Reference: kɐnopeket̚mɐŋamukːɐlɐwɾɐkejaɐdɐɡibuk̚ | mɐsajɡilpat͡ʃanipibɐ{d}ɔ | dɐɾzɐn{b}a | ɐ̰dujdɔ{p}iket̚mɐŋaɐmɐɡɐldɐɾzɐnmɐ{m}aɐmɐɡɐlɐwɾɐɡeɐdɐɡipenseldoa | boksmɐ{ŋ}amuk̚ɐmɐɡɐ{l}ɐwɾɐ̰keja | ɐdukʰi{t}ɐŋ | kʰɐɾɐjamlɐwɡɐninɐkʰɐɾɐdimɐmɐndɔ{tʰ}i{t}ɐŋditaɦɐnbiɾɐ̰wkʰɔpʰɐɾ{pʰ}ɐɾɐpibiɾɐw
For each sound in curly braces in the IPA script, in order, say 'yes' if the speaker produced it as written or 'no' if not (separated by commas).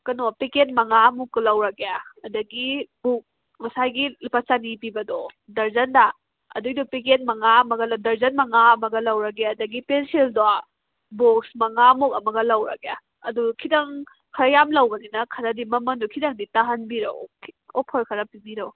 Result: yes, no, yes, no, yes, yes, no, no, no, no